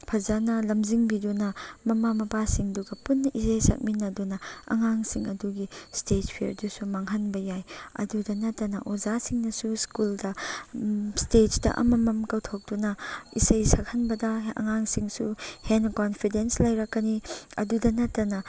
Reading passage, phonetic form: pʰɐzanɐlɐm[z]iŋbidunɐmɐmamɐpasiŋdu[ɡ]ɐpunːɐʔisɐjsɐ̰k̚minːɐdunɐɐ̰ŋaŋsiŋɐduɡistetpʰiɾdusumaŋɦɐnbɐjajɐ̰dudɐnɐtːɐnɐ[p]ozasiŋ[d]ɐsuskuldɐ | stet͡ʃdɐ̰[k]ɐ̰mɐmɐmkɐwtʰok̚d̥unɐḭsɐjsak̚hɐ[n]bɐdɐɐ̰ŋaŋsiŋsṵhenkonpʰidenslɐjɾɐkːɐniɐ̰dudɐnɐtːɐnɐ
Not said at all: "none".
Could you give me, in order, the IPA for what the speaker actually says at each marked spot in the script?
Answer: z, ɡ, ʔ, n, ʔ, n

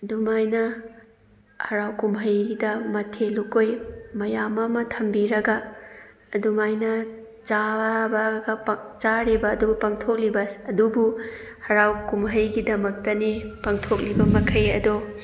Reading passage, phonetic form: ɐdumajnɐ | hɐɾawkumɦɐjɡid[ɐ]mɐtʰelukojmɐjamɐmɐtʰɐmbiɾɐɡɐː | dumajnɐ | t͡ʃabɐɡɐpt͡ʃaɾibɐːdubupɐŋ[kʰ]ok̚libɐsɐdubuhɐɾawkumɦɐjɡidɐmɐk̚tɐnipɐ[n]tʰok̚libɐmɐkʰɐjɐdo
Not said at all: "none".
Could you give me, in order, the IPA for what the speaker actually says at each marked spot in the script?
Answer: ɐ, tʰ, ŋ

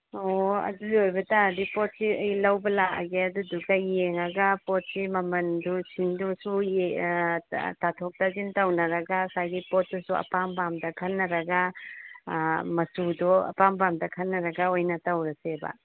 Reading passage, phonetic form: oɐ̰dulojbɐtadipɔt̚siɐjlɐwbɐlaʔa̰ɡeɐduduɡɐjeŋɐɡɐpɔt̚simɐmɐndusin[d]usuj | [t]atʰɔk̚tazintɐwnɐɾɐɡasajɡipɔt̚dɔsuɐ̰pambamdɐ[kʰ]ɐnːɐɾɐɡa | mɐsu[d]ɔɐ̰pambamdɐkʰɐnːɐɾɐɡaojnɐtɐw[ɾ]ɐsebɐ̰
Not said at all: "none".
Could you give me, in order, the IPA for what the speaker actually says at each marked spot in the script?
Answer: d, t, kʰ, d, ɾ

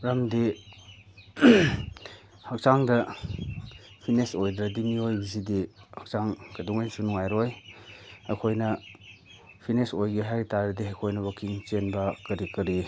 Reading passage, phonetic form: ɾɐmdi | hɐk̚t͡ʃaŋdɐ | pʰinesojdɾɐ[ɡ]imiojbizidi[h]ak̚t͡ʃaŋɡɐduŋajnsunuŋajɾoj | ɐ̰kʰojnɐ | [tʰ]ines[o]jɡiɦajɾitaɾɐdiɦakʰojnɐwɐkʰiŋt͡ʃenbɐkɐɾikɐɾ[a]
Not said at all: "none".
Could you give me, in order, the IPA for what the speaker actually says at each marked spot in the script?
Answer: d, h, pʰ, o, i

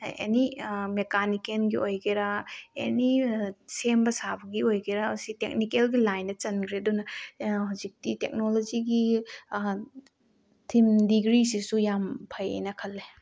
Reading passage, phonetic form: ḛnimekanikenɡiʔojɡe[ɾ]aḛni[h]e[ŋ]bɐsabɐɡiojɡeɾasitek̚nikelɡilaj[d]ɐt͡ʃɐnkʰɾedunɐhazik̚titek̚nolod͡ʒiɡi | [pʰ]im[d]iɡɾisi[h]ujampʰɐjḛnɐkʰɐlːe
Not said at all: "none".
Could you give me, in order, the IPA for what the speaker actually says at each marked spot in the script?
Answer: ɾ, s, m, n, tʰ, d, s

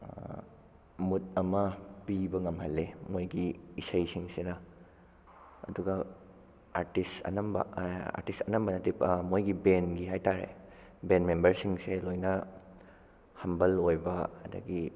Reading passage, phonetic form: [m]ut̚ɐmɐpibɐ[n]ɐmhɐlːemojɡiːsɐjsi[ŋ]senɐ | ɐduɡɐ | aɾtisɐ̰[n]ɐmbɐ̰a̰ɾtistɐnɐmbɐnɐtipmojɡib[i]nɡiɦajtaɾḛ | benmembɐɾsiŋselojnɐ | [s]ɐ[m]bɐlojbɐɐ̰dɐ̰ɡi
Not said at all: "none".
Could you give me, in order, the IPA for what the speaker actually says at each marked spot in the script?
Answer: m, ŋ, ŋ, n, e, h, m

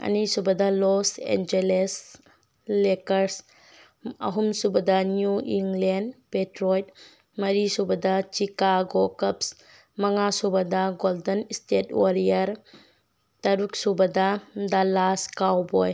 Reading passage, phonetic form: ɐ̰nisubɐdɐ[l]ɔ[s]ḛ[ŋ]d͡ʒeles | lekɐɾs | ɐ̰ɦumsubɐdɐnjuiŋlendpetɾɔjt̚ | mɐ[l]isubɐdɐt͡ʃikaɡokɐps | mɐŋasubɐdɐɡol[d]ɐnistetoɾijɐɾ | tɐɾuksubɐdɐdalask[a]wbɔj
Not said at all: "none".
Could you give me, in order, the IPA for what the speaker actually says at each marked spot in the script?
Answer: l, s, n, ɾ, d, a

